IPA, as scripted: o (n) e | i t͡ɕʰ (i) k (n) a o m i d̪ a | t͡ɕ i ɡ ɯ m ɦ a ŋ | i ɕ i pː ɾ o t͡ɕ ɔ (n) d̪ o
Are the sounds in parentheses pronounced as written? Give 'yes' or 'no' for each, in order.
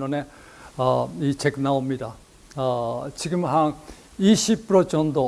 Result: yes, no, yes, yes

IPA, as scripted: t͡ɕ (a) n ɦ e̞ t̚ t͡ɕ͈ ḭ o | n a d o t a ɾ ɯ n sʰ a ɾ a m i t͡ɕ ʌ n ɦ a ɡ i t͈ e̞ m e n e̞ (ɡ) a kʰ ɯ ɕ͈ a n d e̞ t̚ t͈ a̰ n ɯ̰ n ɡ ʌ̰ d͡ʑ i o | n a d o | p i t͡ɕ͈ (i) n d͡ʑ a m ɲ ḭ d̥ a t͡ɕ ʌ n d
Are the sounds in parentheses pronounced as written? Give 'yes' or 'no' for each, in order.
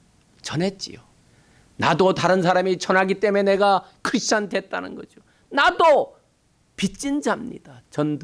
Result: no, yes, yes

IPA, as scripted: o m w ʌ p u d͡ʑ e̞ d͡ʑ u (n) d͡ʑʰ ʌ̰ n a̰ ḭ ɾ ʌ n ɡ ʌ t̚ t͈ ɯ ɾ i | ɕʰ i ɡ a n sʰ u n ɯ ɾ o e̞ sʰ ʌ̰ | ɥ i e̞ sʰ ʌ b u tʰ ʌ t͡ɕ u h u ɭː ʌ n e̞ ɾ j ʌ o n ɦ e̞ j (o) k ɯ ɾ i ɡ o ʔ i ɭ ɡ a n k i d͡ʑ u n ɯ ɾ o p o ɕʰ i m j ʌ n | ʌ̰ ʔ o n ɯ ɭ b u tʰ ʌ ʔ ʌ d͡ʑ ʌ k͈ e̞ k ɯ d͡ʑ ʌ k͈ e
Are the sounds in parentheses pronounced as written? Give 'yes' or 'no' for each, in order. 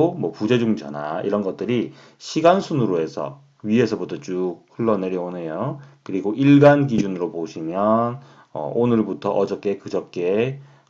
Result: no, yes

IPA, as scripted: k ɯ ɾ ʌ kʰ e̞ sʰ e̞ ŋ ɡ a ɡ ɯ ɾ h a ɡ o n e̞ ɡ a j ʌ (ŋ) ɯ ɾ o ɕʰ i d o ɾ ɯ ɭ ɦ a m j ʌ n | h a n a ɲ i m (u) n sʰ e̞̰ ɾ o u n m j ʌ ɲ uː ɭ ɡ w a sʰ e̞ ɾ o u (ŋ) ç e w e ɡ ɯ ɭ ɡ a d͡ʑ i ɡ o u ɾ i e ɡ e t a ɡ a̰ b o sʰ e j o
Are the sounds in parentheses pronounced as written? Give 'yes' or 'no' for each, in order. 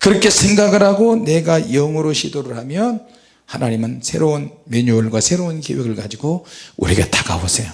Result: yes, no, no

